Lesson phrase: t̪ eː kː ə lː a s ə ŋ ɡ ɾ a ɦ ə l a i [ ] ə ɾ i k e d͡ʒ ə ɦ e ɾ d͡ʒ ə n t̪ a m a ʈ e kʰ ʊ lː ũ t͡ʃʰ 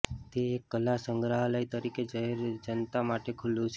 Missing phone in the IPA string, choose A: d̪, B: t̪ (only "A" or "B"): B